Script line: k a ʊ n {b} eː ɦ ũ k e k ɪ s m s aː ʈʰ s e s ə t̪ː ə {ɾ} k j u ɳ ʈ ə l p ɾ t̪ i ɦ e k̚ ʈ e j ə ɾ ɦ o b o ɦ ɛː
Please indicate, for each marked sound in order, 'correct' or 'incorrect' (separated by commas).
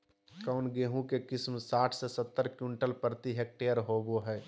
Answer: incorrect, correct